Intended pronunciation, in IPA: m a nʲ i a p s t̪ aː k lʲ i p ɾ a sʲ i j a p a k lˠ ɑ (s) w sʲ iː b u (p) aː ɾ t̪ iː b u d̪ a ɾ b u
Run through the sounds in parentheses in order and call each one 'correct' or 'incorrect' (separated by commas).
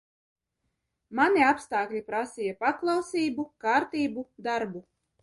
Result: incorrect, incorrect